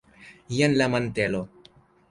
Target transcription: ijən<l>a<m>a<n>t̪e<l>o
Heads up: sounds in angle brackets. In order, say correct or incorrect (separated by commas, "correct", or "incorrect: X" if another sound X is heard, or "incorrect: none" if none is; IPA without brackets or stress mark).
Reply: correct, correct, correct, correct